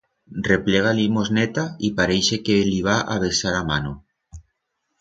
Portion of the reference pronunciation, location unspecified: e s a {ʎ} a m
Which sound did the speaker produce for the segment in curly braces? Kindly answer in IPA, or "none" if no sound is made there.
ɾ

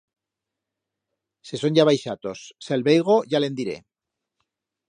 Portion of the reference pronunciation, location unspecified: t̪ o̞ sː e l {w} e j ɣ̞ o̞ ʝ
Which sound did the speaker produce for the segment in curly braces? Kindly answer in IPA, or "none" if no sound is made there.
β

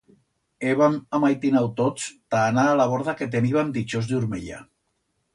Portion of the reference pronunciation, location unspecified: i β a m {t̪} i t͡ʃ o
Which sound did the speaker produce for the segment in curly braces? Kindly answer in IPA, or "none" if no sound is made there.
d̪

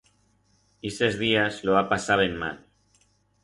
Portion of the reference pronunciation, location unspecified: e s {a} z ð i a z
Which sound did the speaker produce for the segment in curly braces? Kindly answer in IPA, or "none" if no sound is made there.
e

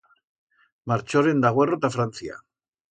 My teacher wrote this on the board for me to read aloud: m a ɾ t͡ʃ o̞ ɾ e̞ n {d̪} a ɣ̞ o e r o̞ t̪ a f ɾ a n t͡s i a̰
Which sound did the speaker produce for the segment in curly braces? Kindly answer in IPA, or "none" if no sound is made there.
d̪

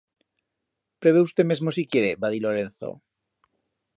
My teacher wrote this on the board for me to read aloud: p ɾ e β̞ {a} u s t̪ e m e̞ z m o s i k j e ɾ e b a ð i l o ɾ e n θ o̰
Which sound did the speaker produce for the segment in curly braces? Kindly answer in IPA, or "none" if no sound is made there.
e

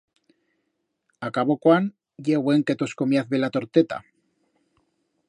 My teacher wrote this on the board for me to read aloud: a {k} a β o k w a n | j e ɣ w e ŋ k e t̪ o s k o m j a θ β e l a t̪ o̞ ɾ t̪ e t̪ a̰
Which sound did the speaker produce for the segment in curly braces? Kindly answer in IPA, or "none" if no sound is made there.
k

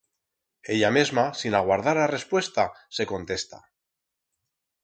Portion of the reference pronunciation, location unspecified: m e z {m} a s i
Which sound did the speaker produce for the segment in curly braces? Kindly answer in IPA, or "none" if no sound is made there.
m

